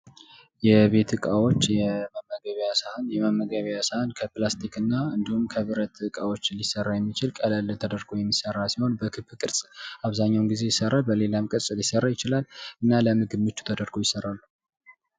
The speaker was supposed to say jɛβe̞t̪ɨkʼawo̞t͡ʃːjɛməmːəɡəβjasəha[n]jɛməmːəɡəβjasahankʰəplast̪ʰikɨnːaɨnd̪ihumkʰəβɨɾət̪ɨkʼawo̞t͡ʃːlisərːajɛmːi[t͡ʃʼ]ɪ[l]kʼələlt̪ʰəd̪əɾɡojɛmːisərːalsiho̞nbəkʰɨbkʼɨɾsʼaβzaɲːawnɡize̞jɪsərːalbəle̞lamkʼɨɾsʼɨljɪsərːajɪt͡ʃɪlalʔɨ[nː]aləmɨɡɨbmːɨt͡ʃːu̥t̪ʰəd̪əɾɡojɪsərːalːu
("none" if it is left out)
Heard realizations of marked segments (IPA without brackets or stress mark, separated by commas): n, t͡ʃ, l, nː